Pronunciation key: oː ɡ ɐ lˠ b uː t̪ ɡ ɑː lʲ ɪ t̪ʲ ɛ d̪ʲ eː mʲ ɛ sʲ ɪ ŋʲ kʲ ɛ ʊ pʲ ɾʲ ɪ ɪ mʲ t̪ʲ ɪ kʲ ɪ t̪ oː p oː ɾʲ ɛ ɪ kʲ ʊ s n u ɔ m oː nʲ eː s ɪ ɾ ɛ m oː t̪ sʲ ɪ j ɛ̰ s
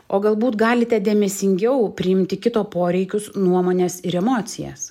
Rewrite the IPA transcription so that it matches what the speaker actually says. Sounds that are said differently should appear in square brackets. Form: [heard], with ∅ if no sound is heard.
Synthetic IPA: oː ɡ ɐ lˠ b uː t̪ ɡ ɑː lʲ ɪ t̪ʲ ɛ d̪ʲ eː mʲ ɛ sʲ ɪ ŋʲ [ɡʲ] ɛ ʊ pʲ ɾʲ ɪ ɪ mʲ t̪ʲ ɪ kʲ ɪ t̪ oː p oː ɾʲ ɛ ɪ kʲ ʊ s n u ɔ m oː nʲ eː s ɪ ɾ ɛ m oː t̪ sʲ ɪ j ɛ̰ s